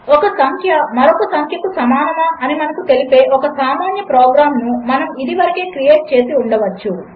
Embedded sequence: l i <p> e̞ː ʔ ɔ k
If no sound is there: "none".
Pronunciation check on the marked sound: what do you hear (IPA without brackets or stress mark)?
p